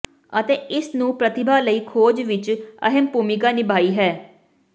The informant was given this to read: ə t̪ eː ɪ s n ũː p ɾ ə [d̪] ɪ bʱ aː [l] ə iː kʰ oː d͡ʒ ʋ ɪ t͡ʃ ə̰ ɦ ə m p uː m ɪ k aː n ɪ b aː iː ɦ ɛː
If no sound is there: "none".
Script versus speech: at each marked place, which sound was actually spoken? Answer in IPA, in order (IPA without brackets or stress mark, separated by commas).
t̪, l